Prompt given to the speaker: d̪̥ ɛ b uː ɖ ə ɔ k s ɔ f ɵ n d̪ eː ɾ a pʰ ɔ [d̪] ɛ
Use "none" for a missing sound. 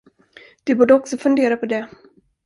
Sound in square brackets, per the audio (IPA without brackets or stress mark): d̪